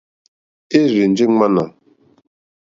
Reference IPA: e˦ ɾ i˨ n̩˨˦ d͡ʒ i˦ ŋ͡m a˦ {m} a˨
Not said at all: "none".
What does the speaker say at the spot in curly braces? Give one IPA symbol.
n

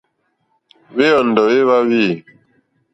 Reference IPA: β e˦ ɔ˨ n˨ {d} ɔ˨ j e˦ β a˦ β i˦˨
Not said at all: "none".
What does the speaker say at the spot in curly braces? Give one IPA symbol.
d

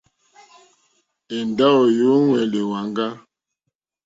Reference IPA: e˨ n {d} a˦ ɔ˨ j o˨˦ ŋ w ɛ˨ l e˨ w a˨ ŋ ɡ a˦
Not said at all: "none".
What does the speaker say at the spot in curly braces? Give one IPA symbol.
d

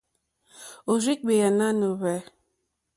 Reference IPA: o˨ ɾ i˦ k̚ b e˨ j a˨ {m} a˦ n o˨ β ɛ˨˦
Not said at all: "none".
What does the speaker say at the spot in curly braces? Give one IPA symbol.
n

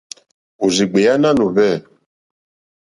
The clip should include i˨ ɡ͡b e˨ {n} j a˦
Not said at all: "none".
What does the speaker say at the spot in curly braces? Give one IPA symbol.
none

